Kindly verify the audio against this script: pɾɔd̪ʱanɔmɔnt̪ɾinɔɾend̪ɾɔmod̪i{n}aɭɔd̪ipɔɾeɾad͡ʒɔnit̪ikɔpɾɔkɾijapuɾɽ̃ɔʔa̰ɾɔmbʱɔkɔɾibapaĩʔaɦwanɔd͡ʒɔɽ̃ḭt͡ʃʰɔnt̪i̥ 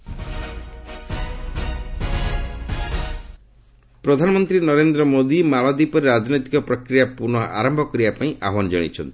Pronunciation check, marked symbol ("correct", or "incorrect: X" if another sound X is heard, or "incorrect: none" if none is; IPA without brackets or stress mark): incorrect: m